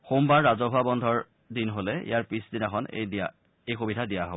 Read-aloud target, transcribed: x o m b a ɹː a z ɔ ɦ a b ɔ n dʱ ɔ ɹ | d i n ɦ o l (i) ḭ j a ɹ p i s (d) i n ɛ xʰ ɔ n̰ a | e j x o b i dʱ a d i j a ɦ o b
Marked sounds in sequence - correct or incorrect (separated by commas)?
incorrect, correct